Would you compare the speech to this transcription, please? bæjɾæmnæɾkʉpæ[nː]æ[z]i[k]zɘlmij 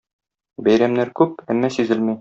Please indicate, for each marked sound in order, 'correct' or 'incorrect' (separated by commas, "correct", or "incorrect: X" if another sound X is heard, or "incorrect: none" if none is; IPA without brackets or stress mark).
incorrect: mː, incorrect: s, incorrect: none